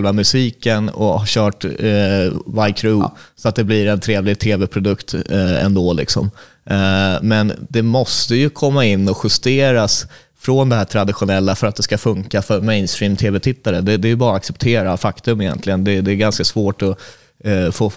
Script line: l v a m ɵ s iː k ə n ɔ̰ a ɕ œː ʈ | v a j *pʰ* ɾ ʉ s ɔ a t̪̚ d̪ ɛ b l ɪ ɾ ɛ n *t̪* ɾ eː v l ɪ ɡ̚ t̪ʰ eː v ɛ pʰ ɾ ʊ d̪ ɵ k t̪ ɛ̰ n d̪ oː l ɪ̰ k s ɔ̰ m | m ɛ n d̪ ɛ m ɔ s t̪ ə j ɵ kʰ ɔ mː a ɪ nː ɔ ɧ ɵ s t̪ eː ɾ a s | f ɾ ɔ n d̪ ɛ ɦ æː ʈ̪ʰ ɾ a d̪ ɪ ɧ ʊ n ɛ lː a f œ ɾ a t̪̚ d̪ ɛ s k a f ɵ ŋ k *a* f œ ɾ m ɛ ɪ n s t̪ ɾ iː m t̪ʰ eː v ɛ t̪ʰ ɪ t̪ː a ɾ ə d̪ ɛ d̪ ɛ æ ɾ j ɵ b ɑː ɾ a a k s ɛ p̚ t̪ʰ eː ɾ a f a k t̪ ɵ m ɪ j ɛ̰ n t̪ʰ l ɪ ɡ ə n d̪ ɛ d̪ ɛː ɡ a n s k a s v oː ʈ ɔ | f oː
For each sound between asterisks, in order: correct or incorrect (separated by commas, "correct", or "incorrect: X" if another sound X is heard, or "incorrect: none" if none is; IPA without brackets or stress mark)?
incorrect: kʰ, incorrect: t̪ʰ, correct